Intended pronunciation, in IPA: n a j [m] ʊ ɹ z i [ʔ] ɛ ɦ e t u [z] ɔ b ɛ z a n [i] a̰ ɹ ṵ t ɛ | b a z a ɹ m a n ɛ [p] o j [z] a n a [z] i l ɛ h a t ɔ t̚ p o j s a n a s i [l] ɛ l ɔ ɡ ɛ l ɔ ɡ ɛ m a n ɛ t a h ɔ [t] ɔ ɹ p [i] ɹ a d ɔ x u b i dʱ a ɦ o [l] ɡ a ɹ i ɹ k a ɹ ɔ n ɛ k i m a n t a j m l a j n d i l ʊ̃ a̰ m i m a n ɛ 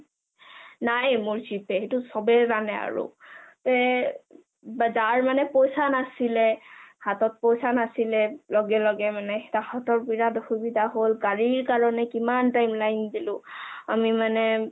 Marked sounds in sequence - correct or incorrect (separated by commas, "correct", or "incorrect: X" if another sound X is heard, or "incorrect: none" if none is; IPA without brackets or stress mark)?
correct, incorrect: p, incorrect: s, incorrect: ɛ, correct, incorrect: s, incorrect: s, correct, correct, correct, correct